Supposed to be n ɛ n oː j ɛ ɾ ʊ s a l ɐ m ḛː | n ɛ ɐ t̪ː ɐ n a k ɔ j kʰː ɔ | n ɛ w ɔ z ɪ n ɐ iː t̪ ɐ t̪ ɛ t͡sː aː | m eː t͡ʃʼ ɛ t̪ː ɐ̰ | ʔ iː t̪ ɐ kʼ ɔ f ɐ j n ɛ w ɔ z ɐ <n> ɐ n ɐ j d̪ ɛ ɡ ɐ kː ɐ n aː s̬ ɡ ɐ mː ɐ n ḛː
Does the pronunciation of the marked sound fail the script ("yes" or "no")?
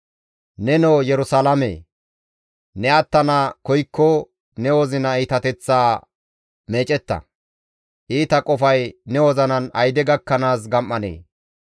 no